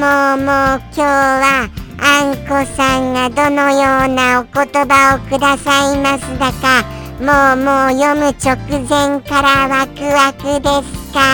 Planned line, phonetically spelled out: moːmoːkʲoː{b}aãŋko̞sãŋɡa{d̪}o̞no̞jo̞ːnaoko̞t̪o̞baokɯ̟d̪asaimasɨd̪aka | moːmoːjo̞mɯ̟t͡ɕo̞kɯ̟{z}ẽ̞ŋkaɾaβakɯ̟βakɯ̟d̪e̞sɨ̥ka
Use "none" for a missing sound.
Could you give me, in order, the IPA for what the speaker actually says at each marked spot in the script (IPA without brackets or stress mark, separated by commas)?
β, d̪, z